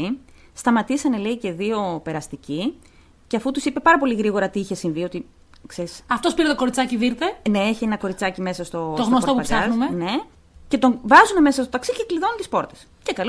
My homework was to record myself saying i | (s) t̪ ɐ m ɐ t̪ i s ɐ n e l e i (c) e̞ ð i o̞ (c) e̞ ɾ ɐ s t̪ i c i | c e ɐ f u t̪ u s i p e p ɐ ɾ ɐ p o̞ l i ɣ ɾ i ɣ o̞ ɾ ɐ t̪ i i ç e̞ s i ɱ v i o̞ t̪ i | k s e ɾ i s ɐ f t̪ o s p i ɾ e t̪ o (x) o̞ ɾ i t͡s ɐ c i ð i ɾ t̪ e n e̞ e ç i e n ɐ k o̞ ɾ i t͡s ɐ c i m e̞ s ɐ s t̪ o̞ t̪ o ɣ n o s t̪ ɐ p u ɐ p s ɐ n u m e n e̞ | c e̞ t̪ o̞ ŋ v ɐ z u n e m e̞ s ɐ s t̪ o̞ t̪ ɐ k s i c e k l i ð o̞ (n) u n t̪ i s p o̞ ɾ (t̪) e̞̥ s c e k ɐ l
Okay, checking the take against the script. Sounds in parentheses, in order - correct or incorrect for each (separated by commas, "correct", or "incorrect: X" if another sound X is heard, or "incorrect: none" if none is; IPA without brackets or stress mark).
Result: correct, correct, incorrect: p, incorrect: k, correct, correct